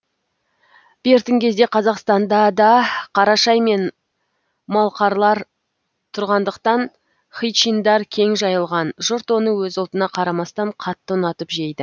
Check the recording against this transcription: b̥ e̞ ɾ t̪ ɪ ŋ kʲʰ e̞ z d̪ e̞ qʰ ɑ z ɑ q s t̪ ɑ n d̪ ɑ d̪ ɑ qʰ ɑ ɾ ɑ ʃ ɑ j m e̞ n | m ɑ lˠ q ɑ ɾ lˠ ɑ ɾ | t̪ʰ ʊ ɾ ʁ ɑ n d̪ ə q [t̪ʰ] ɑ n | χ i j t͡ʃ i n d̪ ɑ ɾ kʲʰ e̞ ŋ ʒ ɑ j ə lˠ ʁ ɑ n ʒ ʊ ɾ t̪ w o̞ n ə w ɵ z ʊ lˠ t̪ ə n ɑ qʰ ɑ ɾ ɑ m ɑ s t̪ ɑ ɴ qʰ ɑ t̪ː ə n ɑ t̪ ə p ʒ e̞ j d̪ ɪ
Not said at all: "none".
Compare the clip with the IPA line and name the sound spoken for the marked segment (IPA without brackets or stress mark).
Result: t̪